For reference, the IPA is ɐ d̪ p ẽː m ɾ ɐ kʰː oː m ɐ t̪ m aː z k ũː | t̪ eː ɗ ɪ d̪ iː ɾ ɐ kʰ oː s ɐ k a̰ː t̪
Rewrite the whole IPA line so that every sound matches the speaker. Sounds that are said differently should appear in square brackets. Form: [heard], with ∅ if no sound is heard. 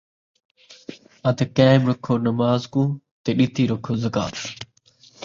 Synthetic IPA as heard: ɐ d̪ [k] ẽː m ɾ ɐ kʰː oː [n] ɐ [∅] m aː z k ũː | t̪ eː ɗ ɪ [t̪] iː ɾ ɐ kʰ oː [z] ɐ k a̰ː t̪